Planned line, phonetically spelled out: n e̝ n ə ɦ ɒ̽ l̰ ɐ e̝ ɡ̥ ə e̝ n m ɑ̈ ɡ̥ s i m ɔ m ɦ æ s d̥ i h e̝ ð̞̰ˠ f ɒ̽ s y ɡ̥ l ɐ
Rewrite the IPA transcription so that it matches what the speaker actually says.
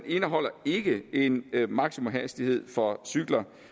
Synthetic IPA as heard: n e̝ n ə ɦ ɒ̽ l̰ ɐ e̝ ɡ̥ ə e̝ n m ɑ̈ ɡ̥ s i m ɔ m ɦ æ s d̥ i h e̝ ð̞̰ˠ f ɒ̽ s y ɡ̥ l ɐ